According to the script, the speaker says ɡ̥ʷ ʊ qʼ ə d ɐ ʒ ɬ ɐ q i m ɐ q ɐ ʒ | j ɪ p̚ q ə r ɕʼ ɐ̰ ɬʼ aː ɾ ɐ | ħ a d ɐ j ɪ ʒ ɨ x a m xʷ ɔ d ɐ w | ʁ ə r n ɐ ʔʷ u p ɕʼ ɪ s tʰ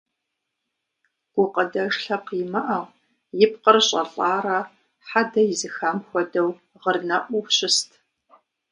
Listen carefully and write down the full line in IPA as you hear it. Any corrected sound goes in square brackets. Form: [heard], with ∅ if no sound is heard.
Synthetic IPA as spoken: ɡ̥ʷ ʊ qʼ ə d ɐ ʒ ɬ ɐ q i m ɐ [ʔ] ɐ [ʁ] | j ɪ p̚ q ə r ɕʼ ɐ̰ ɬʼ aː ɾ ɐ | ħ a d ɐ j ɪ [z] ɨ x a m xʷ ɔ d ɐ w | ʁ ə r n ɐ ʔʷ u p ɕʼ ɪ s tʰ